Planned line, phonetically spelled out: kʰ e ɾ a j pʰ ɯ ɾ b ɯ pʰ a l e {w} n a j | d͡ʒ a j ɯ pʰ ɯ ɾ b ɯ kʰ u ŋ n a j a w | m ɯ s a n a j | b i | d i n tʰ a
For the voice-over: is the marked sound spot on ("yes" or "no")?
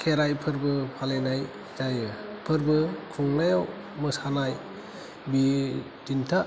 no